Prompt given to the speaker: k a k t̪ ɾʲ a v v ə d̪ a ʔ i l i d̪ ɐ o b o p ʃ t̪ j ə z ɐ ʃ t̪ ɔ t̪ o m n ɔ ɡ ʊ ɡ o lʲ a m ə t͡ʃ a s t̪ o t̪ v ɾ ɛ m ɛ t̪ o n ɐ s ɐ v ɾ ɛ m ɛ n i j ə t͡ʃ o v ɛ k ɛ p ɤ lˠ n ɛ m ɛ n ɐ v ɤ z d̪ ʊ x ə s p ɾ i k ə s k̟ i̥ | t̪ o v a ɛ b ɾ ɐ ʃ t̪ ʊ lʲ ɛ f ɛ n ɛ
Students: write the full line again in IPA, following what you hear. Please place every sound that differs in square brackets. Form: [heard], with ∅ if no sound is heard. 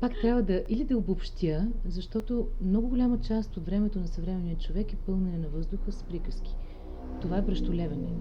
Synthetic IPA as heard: [p] a k t̪ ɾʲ a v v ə d̪ [ɐ] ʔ i l i d̪ ɐ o b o p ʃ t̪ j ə z ɐ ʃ t̪ ɔ t̪ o m n ɔ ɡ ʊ ɡ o lʲ a m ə t͡ʃ a s t̪ o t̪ v ɾ ɛ m ɛ t̪ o n ɐ s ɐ v ɾ ɛ m ɛ n i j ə t͡ʃ o v ɛ k ɛ p ɤ lˠ n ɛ [n] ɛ n ɐ v ɤ z d̪ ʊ x ə s p ɾ i k ə s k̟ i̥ | t̪ o v a ɛ b ɾ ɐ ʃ t̪ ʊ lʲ ɛ [v] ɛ n ɛ